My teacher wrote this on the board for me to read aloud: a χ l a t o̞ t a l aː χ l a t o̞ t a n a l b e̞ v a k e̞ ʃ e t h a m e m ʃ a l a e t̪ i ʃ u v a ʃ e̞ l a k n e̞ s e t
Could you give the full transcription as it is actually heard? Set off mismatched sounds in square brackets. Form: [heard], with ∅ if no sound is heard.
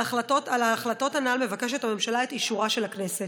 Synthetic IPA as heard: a χ l a t o̞ t a l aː χ l a t o̞ t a n a l [m] e̞ v a k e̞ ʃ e t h a m e m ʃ a l a e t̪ i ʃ u [ʁ] a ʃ e̞ l a k n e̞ s e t